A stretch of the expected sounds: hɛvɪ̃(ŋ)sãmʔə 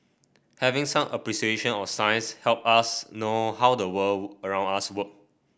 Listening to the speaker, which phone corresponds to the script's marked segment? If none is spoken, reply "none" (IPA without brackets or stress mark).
ŋ